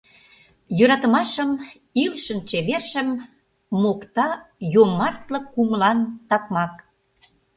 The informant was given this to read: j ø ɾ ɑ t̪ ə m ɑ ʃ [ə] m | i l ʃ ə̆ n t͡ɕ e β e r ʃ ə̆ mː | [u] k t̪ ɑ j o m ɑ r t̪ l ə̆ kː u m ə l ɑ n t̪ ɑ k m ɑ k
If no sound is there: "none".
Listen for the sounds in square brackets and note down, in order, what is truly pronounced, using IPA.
ə, o

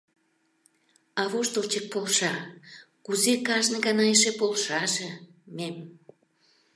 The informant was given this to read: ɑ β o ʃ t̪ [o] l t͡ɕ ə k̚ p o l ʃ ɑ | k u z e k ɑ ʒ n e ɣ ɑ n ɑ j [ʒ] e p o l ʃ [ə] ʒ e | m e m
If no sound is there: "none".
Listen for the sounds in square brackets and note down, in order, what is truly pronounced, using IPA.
o, ʃ, ɑ

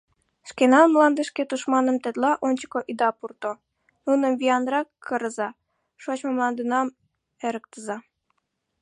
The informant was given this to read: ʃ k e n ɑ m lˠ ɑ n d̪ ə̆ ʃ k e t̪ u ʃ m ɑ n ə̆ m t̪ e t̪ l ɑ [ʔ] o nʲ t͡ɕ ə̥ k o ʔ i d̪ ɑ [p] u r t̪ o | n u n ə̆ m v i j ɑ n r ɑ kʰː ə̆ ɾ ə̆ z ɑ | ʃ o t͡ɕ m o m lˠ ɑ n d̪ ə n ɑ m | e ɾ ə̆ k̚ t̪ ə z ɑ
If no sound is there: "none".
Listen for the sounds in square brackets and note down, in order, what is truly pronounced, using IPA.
ʔ, p

